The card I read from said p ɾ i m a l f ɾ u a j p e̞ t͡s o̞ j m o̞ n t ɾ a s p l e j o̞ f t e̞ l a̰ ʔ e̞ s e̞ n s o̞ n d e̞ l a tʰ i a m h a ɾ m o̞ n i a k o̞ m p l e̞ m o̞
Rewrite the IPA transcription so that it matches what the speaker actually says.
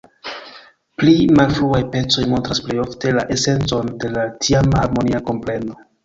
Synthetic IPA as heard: p l i m a l f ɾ u a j p e̞ t͡s o̞ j m o̞ n t ɾ a s p l e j o̞ f t e̞ l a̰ ʔ e̞ s e̞ n t͡s o̞ n d e̞ l a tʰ i a m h a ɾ m o̞ n i a k o̞ m p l e̞ n o̞